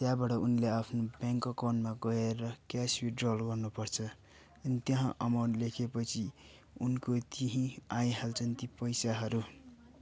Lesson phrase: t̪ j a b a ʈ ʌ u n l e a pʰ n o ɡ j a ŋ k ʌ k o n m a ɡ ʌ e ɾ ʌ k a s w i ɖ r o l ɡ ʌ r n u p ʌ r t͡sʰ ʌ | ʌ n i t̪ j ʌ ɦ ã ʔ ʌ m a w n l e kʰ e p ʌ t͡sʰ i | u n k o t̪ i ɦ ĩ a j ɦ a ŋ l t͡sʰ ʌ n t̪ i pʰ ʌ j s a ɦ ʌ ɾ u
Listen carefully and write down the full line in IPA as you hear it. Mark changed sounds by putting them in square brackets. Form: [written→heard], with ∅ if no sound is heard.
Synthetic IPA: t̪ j a b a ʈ ʌ u n l e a pʰ n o [ɡ→b] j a ŋ k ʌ k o n m a ɡ ʌ e ɾ ʌ k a s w i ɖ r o l ɡ ʌ r n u p ʌ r t͡sʰ ʌ | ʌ n i t̪ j ʌ ɦ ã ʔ ʌ m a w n l e kʰ e p ʌ t͡sʰ i | u n k o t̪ i ɦ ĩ a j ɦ a [ŋ→∅] l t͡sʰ ʌ n t̪ i [pʰ→p] ʌ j s a ɦ ʌ ɾ u